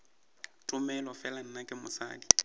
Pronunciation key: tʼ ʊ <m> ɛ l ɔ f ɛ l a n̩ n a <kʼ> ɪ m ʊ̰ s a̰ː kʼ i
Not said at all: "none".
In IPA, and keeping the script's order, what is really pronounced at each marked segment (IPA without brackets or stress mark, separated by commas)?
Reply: m, kʼ